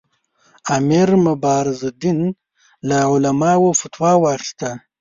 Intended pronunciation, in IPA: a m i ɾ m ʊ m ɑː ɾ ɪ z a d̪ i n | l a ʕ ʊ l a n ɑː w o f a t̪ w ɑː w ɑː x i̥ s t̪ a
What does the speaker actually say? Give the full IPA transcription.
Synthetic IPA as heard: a m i ɾ m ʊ b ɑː ɾ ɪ z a d̪ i n | l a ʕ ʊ l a m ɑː w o f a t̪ w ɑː w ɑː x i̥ s t̪ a